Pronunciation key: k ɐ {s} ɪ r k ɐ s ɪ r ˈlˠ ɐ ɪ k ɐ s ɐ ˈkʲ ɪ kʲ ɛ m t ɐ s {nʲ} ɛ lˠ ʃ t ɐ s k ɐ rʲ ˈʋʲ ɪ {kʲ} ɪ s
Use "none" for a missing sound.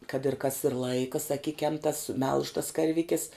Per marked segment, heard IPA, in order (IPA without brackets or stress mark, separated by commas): t, mʲ, kʲ